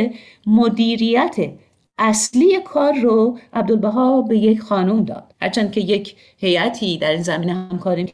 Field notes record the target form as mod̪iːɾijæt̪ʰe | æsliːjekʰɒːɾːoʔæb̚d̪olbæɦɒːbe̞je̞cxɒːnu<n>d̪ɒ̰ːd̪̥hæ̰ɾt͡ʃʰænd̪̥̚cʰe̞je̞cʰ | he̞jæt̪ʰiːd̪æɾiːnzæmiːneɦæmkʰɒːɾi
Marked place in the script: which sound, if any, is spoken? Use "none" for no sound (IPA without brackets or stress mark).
m